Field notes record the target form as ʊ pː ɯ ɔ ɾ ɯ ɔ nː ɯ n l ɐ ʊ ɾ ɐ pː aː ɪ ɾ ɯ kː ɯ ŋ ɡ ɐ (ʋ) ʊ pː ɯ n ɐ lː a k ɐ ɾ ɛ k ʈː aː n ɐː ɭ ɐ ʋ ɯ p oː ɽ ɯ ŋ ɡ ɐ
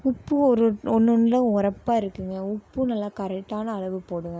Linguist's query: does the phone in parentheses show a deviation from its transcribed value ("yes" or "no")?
yes